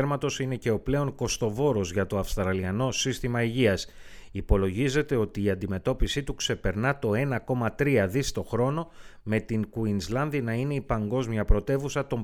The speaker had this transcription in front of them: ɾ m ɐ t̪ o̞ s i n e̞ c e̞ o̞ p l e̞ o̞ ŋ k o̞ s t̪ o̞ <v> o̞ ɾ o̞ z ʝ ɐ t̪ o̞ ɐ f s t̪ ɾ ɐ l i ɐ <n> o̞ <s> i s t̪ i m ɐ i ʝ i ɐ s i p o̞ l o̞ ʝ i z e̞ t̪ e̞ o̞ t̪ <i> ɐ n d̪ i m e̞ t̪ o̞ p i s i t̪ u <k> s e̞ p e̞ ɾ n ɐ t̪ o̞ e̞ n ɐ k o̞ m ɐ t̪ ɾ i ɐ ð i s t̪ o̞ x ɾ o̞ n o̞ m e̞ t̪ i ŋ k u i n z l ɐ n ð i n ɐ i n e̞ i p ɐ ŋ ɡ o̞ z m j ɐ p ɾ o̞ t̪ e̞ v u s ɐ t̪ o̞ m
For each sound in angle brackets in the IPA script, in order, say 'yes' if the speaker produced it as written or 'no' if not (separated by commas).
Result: yes, yes, yes, no, yes